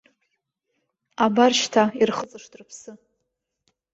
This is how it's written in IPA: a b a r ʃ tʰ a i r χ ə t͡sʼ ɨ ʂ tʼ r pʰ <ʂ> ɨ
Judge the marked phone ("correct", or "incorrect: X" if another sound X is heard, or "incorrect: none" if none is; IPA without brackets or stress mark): incorrect: s